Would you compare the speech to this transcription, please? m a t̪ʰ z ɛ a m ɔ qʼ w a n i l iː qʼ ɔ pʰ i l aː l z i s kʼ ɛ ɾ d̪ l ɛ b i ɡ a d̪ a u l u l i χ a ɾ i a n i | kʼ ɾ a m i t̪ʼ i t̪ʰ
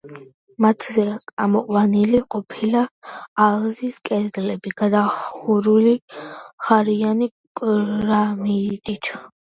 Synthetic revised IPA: m a t̪ʰ z ɛ a m ɔ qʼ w a n i l i qʼ ɔ pʰ i l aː l z i s kʼ ɛ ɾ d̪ l ɛ b i ɡ a d̪ a u ɾ u l i χ a ɾ i a n i | kʼ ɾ a m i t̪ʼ i t̪ʰ